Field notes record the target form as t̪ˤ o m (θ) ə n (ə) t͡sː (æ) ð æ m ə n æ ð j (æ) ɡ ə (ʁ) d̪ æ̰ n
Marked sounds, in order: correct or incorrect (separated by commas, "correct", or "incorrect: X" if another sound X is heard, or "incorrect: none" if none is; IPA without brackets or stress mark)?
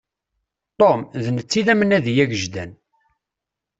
incorrect: ð, correct, incorrect: i, correct, incorrect: ʒ